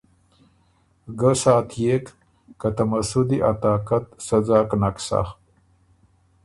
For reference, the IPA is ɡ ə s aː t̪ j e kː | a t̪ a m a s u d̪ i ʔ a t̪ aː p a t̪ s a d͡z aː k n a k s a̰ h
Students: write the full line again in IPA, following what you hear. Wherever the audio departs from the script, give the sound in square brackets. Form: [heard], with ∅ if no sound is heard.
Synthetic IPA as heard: ɡ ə s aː t̪ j e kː | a t̪ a m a s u d̪ i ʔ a t̪ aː [k] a t̪ s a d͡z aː k n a k s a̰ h